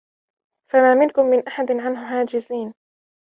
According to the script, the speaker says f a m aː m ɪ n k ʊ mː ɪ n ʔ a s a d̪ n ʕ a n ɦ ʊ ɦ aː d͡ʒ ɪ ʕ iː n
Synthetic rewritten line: f a m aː m ɪ n k ʊ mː ɪ n ʔ a ħ a d̪ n ʕ a n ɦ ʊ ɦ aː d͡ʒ ɪ z iː n